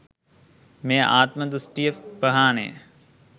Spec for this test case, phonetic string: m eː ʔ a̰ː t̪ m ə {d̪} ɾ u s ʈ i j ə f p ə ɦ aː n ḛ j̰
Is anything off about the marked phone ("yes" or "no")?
no